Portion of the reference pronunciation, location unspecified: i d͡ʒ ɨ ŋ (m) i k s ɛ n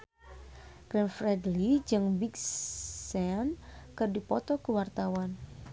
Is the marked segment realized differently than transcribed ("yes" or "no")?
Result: yes